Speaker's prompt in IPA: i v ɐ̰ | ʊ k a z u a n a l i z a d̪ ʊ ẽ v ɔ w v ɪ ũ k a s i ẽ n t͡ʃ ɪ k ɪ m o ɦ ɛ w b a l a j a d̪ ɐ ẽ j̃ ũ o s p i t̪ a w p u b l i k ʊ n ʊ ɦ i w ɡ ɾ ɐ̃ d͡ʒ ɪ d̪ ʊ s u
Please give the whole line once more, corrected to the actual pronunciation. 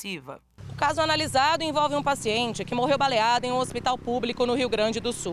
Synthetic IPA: i v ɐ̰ | ʊ k a z ʊ a n a l i z a d̪ ʊ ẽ v ɔ w v ɪ ũ p a s i ẽ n t͡ʃ ɪ k ɪ m o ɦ e w b a l e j a d̪ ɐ ẽ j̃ ũ o s p i t̪ a w p u b l i k ʊ n ʊ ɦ i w ɡ ɾ ɐ̃ d͡ʒ ɪ d̪ ʊ s u

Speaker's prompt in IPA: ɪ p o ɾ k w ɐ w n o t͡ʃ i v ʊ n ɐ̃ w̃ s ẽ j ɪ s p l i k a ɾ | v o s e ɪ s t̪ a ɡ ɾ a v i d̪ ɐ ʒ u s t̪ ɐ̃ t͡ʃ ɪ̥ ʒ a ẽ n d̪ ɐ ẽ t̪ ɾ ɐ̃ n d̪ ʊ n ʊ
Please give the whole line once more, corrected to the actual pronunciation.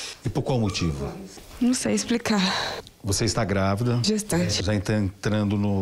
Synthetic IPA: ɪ p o ɾ k w a w m o t͡ʃ i v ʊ n ɐ̃ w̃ s e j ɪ s p l i k a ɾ | v o s e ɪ s t̪ a ɡ ɾ a v i d̪ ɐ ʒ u s t̪ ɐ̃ t͡ʃ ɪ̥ ʒ a ẽ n t̪ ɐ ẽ t̪ ɾ ɐ̃ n d̪ ʊ n ʊ

